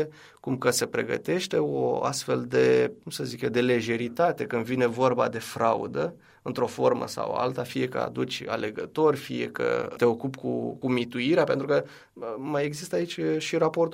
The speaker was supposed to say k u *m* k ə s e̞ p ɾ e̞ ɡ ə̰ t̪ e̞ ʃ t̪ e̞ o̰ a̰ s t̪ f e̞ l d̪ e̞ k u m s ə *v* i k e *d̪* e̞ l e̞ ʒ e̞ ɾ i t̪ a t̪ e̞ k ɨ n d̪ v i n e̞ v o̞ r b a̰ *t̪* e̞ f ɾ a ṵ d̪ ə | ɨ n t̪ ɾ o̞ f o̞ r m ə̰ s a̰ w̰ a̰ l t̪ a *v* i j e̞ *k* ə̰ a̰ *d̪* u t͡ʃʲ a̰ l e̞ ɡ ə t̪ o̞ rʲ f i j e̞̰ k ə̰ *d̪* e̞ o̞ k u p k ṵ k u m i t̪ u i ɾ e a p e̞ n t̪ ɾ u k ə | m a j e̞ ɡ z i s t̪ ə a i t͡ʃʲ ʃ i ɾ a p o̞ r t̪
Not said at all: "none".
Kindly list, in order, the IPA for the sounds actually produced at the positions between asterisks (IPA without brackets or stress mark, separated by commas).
m, z, d̪, d̪, f, k, d̪, t̪